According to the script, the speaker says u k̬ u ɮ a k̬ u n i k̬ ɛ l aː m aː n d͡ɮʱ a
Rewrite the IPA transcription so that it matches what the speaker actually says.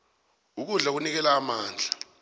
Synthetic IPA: u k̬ u ɮ a k̬ u n i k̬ ɛ l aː m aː n d͡ɮʱ a